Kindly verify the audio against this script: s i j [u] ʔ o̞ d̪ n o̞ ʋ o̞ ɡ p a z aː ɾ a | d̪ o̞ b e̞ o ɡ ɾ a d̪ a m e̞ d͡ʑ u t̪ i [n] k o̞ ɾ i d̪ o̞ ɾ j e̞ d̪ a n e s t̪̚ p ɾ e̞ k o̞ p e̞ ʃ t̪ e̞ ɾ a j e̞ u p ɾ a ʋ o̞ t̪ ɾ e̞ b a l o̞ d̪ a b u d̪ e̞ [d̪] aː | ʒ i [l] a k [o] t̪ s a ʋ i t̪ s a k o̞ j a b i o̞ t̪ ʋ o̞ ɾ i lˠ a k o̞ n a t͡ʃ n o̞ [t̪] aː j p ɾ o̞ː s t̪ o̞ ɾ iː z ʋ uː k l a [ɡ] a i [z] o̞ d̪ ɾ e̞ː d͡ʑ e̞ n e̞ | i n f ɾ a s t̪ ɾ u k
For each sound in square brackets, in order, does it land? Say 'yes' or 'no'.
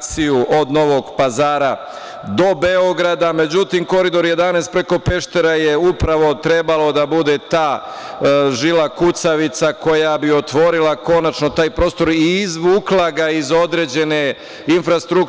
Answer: yes, no, no, yes, no, yes, yes, yes

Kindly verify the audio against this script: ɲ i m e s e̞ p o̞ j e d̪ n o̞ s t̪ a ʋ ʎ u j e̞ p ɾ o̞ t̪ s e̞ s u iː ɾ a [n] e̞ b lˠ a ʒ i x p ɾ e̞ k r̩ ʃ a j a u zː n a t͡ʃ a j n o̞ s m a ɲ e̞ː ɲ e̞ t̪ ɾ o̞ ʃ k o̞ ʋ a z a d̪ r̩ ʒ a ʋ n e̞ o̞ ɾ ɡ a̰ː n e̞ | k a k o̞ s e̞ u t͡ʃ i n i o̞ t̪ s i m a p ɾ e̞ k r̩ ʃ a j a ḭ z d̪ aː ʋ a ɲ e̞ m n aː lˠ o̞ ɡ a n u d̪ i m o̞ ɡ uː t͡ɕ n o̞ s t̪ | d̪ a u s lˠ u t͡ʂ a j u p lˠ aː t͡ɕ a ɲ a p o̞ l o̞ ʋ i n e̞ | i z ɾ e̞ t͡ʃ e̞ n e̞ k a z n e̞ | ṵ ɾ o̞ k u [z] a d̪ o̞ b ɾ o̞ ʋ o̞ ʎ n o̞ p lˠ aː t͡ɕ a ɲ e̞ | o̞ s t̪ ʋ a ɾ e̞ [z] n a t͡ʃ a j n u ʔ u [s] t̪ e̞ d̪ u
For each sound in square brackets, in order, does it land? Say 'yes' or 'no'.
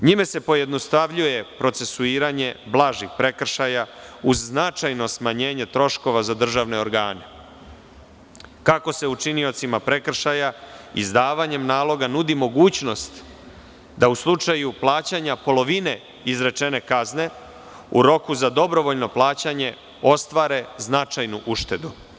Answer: no, yes, yes, no

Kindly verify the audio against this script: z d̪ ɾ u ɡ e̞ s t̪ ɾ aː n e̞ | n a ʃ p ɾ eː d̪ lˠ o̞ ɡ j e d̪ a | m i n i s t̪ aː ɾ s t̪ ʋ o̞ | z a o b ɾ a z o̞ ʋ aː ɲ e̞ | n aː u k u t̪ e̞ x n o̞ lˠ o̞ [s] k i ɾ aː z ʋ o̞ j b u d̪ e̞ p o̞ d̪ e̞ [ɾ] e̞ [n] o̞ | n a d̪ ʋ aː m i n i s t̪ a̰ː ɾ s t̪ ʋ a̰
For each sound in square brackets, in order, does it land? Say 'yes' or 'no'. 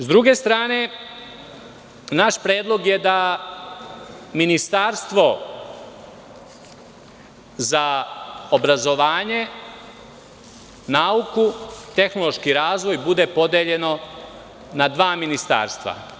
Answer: no, no, yes

